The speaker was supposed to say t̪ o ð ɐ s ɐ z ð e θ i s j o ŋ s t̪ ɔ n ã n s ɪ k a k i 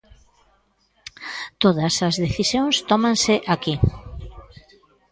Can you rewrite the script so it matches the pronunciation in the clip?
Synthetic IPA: t̪ o ð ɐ s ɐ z ð e θ i s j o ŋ s t̪ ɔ m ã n s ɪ ʔ a k i